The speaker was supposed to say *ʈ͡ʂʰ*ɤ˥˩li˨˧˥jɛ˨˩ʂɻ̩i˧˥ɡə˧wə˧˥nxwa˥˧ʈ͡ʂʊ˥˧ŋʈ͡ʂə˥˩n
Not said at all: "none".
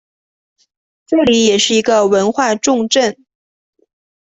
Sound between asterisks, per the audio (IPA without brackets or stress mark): ʈ͡ʂ